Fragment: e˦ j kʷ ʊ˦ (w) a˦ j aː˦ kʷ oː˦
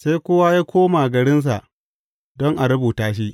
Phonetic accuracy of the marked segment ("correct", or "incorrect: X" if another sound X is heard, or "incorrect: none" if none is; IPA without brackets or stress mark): correct